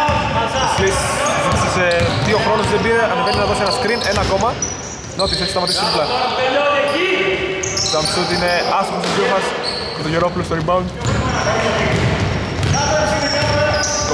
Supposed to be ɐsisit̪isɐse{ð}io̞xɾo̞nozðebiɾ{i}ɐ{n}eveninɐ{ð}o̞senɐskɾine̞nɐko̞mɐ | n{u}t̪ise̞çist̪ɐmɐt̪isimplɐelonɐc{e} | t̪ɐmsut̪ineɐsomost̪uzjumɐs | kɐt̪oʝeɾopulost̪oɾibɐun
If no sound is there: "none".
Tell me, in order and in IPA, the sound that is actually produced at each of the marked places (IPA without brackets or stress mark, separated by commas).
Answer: ð, e, n, ð, o, i